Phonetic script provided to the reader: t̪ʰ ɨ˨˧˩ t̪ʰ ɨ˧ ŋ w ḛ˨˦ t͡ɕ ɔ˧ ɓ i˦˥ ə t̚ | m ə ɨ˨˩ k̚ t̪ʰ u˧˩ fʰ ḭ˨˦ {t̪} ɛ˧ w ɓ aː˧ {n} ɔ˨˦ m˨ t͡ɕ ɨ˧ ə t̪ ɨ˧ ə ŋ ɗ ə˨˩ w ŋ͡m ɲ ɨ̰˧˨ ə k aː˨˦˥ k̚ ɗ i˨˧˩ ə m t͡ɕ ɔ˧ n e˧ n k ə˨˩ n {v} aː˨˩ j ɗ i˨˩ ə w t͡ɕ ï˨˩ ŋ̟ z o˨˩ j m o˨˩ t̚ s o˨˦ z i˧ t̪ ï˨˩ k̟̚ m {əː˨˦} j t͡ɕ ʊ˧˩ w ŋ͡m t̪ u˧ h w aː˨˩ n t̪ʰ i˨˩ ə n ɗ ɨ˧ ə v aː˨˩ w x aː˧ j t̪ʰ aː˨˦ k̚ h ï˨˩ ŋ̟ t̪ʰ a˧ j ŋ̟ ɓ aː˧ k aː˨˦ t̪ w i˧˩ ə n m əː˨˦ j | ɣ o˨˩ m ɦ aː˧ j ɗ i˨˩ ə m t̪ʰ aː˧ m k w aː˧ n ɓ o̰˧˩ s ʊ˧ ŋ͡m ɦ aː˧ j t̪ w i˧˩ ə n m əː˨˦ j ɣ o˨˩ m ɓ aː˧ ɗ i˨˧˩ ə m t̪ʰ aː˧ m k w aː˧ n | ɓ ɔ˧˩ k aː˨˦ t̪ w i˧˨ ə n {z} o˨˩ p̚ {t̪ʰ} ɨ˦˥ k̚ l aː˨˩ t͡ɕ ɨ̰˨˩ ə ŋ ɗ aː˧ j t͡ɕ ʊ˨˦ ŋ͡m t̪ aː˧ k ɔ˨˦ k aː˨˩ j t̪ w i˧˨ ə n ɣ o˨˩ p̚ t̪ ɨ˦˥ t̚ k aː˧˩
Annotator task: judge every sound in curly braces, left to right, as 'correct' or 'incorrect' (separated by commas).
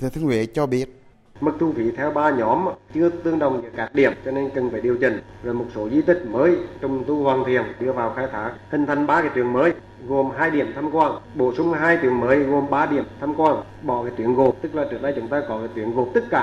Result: incorrect, incorrect, incorrect, correct, incorrect, incorrect